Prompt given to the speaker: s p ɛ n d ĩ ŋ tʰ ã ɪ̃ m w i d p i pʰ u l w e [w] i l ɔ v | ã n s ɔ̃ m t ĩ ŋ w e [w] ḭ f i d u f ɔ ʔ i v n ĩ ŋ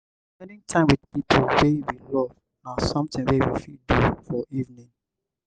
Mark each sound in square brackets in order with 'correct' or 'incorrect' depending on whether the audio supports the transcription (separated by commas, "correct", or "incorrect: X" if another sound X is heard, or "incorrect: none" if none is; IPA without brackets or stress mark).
correct, correct